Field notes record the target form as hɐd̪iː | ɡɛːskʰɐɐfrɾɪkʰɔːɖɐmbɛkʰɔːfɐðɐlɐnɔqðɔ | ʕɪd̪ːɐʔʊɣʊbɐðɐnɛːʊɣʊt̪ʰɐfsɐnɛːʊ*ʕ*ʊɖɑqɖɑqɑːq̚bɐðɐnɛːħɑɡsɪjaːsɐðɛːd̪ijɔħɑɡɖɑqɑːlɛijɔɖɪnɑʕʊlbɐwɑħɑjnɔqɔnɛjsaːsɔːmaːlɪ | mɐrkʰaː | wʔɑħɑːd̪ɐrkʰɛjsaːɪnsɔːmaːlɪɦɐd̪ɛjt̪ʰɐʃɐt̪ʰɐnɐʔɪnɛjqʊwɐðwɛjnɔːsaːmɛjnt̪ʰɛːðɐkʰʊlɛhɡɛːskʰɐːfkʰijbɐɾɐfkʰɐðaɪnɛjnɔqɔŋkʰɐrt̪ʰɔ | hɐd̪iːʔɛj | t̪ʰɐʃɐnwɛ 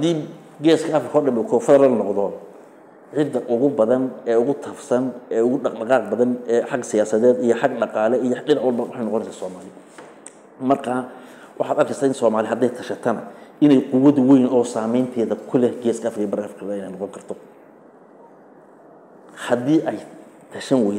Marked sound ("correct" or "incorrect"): incorrect